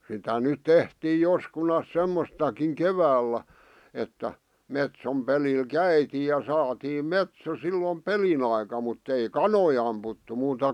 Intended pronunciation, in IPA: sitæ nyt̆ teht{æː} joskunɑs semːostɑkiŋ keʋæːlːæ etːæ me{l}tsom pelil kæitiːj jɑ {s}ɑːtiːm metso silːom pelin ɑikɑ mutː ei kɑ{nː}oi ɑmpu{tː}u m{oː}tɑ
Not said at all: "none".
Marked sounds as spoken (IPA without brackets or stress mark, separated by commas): iː, none, s, n, tː, uː